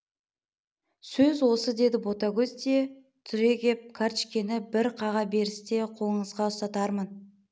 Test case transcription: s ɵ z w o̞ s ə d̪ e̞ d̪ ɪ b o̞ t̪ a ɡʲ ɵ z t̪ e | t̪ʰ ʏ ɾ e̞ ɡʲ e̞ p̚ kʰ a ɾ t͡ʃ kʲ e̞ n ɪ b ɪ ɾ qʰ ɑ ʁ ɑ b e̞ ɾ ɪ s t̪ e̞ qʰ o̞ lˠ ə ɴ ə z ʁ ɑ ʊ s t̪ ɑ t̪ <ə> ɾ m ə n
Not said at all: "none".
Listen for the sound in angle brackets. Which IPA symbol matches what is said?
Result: ɑ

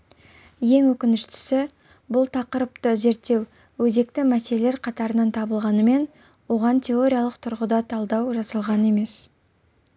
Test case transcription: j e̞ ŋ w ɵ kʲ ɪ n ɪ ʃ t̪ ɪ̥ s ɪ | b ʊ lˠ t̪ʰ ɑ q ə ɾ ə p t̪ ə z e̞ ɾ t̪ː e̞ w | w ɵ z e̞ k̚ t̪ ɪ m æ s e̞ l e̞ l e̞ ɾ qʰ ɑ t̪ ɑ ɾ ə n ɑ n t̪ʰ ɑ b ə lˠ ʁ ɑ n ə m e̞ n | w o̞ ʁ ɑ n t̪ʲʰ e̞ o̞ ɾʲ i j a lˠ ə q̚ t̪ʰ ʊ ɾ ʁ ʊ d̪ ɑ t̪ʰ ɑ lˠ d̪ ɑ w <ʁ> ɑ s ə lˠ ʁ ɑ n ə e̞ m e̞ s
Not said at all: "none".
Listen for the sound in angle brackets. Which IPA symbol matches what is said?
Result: ʒ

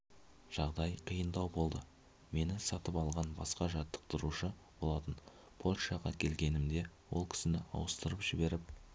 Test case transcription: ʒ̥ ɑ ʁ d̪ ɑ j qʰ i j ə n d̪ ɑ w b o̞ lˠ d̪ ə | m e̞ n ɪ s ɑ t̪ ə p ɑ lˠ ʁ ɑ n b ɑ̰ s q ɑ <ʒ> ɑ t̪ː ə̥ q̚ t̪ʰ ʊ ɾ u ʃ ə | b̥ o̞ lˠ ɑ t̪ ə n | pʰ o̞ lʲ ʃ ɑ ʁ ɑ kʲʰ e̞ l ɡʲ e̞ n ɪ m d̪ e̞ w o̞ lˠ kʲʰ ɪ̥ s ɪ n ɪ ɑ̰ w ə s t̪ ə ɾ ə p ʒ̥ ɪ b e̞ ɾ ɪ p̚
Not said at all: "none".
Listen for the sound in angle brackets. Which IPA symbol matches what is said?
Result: ʒ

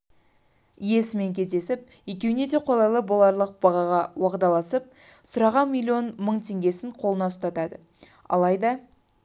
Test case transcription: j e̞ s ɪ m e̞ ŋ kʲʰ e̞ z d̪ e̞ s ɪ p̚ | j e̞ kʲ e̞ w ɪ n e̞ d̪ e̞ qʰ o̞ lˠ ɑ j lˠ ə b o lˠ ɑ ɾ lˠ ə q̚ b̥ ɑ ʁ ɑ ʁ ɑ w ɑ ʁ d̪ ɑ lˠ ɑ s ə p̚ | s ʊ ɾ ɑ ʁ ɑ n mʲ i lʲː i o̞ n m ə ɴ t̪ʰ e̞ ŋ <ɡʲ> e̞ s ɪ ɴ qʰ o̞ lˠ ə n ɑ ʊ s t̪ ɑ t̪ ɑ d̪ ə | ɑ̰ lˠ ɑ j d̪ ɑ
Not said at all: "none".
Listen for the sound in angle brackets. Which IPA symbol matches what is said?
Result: ɡʲ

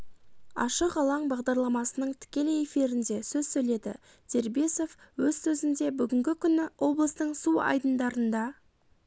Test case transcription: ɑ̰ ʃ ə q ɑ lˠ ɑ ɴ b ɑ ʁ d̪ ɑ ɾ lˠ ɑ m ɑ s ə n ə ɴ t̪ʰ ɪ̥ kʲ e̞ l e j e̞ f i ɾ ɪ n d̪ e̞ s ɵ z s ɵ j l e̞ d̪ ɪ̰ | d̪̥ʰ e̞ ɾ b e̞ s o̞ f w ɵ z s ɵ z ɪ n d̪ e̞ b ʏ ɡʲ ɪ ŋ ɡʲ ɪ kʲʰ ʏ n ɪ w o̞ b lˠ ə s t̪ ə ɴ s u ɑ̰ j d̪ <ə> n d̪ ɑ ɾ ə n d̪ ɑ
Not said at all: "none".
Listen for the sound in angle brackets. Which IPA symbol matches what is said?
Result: ə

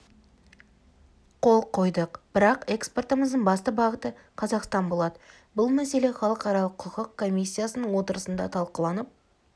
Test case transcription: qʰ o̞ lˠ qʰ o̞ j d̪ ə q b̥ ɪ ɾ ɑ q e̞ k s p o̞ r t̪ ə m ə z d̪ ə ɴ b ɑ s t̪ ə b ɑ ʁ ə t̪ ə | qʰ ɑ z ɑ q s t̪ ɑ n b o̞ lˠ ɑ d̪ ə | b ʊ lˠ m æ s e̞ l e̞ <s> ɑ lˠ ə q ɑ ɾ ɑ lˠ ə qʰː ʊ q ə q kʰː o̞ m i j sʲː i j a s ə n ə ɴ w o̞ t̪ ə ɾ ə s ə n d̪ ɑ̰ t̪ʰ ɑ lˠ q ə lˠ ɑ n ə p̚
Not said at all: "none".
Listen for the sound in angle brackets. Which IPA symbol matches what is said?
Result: χ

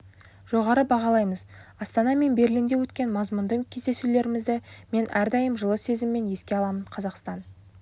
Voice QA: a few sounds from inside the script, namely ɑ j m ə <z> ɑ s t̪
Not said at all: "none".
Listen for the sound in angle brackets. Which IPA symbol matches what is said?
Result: z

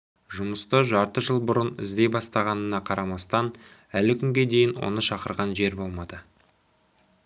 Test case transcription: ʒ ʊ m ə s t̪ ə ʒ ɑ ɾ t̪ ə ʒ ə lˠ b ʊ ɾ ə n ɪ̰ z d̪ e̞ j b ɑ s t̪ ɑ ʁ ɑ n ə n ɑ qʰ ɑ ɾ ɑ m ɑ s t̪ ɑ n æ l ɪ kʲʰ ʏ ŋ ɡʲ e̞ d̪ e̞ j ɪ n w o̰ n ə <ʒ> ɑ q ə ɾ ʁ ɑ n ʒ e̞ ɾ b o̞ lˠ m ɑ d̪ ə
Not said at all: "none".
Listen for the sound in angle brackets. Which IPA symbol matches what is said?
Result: ʃ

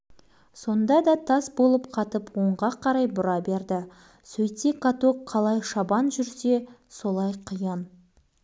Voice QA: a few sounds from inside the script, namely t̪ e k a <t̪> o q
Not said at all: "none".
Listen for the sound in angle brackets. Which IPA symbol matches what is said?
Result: t̪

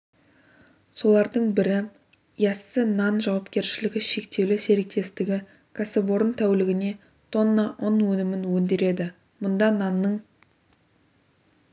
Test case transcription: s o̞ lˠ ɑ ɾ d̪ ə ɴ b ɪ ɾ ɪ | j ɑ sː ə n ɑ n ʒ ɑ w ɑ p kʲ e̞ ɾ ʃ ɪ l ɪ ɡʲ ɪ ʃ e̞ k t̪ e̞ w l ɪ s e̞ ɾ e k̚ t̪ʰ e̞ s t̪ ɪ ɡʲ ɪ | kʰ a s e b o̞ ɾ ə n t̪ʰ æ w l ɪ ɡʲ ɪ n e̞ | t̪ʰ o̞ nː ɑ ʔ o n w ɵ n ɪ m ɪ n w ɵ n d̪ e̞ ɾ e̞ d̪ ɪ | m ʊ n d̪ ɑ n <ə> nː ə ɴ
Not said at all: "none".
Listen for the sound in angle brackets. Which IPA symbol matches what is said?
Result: ɑ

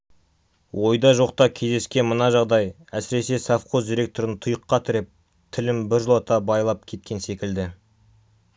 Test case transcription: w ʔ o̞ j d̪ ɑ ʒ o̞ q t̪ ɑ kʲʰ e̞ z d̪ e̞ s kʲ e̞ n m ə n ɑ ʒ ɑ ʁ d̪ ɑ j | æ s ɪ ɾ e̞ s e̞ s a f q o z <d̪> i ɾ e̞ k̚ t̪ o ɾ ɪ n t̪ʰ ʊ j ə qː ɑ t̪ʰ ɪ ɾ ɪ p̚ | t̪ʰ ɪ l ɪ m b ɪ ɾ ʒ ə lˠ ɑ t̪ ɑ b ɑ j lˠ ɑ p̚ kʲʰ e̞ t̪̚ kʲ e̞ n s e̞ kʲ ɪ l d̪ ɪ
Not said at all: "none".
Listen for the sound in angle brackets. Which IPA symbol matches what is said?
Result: d̪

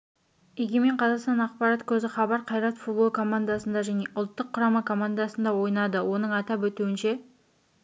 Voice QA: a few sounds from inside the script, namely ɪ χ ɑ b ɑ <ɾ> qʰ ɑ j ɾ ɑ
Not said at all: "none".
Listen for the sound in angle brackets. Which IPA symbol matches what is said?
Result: ɾ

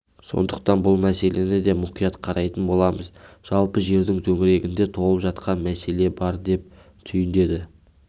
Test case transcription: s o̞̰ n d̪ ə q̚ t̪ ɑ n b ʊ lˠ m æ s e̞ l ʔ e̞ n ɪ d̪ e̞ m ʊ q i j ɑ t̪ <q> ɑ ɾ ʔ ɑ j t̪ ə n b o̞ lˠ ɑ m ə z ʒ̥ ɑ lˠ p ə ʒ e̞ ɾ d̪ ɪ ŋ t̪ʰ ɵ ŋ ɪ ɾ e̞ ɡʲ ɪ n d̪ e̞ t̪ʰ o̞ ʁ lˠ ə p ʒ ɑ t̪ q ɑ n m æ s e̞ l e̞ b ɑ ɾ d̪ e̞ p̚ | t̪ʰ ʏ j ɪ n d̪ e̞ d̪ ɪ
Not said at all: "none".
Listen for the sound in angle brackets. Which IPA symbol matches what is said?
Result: qʰ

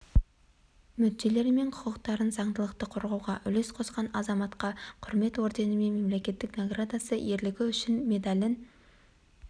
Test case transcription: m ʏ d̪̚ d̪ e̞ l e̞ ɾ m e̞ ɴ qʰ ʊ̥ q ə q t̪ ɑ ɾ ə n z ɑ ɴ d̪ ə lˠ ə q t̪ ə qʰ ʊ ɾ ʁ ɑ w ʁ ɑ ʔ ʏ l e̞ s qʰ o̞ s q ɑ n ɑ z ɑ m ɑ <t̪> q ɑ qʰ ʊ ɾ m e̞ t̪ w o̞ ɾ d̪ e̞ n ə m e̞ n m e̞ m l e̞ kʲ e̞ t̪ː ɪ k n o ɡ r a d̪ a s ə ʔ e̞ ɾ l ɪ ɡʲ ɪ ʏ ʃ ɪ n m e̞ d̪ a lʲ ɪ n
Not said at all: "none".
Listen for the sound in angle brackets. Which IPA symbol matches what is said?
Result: t̪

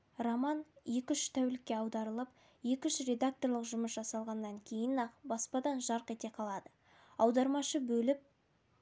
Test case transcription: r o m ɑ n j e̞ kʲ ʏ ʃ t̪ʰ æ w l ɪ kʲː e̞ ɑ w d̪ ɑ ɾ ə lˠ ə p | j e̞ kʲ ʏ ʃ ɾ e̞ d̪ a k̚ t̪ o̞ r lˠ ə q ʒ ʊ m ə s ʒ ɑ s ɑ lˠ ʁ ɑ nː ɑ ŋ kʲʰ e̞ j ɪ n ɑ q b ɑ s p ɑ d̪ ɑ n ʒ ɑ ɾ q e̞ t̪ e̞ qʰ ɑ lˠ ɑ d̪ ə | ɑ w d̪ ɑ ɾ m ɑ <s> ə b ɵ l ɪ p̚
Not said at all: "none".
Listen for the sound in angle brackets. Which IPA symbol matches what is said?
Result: ʃ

